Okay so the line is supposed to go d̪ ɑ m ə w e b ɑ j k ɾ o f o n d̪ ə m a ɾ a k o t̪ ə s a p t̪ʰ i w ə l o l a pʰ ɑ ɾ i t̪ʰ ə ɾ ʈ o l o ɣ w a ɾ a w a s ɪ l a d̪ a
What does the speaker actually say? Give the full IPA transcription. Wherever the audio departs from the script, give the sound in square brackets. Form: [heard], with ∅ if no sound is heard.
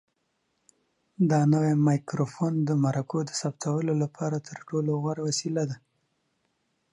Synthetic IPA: d̪ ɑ [n] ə w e [m] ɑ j k ɾ o f o n d̪ ə m a ɾ a k o [d̪] ə s a p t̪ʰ [a] w ə l o l a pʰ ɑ ɾ [a] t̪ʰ ə ɾ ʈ o l o ɣ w a ɾ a w a s [i] l a d̪ a